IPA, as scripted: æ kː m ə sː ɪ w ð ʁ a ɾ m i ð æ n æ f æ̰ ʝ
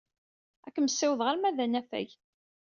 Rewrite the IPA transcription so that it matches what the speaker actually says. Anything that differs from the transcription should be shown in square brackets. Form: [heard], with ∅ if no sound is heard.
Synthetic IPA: æ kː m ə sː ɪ w ð ʁ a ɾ m [æ] ð æ n æ f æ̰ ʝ